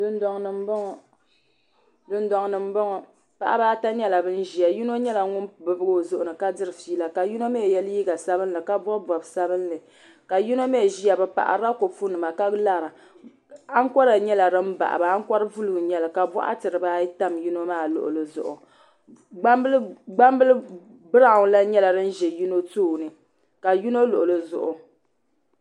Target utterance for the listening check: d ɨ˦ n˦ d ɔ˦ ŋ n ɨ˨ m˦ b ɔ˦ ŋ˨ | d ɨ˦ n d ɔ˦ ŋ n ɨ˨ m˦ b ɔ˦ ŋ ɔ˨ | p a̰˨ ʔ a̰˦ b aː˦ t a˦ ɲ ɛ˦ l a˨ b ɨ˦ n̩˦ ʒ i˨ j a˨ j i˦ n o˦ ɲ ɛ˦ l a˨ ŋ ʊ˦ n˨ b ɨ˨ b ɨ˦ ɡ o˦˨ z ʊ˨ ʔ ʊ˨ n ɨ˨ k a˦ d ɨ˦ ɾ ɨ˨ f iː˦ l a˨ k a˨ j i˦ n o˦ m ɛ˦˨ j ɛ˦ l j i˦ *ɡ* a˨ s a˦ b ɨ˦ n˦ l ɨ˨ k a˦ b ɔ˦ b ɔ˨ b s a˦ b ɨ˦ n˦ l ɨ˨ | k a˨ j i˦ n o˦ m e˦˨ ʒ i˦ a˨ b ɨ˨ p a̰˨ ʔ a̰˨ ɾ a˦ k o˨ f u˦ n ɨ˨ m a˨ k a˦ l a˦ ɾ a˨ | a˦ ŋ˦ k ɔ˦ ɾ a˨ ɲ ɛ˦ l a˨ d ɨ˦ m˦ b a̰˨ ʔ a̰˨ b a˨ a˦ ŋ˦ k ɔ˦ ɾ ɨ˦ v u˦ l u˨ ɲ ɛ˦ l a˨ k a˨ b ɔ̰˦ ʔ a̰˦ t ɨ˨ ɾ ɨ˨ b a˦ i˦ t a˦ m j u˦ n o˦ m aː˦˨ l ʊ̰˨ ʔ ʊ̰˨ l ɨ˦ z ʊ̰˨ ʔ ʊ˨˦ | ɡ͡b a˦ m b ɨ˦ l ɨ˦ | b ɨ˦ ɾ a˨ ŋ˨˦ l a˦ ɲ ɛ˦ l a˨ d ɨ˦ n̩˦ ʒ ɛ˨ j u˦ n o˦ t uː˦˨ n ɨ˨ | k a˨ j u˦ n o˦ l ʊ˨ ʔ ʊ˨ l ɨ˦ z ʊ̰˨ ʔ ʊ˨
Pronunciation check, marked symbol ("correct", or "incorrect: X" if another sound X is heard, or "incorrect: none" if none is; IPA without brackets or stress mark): correct